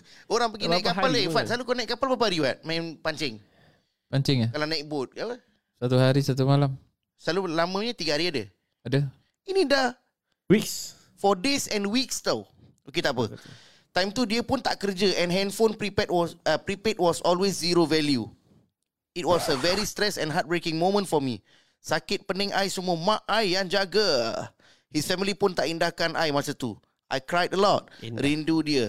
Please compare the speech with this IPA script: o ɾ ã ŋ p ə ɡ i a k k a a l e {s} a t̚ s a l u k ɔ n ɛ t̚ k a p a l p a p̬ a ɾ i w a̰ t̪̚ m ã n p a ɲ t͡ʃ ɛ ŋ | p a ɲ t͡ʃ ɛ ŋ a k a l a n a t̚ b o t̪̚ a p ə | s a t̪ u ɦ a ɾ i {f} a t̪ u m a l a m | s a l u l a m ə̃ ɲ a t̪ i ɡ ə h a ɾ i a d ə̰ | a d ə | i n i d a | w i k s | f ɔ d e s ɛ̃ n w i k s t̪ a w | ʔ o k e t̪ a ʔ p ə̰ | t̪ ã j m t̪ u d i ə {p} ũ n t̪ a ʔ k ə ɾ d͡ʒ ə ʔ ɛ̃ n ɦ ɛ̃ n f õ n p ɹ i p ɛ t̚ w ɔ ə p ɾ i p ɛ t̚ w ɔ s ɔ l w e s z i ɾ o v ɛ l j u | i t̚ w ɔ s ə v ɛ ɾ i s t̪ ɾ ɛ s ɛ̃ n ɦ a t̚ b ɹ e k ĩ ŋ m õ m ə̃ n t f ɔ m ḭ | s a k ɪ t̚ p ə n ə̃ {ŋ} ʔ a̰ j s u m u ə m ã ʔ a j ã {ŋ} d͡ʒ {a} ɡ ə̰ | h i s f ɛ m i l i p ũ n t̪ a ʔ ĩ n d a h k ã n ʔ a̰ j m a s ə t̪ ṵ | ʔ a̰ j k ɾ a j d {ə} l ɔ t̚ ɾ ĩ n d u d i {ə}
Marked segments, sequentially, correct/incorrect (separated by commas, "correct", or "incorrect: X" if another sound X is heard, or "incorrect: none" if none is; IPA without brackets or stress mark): incorrect: f, incorrect: s, correct, correct, incorrect: n, correct, correct, correct